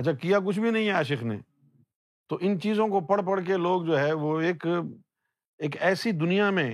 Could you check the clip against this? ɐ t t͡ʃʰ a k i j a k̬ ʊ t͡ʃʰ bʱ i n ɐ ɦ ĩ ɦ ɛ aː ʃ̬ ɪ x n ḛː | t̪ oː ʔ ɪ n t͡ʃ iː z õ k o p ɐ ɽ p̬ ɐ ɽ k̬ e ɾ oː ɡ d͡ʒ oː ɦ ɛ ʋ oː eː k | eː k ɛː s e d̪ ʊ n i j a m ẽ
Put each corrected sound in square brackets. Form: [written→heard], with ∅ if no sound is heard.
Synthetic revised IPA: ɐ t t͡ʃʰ a k i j a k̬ ʊ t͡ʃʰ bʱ i n ɐ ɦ ĩ ɦ ɛ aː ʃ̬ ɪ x n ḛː | t̪ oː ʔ ɪ n t͡ʃ iː z õ k o p ɐ ɽ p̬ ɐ ɽ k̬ e [ɾ→l] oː ɡ d͡ʒ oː ɦ ɛ ʋ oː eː k | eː k ɛː s [e→i] d̪ ʊ n i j a m ẽ